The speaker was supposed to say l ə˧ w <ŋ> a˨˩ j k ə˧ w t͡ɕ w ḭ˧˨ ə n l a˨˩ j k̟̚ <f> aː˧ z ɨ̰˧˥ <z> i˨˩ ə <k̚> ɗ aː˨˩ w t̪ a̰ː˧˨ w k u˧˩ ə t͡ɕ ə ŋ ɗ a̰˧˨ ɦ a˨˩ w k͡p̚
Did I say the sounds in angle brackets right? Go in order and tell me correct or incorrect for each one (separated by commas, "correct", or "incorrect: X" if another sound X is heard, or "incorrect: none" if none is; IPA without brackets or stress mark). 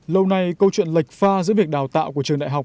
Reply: incorrect: n, correct, incorrect: v, correct